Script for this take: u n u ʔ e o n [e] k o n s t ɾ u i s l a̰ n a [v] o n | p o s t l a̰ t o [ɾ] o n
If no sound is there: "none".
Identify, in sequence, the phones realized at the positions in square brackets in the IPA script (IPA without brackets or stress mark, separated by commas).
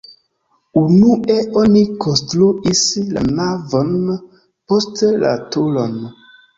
i, v, l